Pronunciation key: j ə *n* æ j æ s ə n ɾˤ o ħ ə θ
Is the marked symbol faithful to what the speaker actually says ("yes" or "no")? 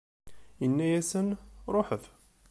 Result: no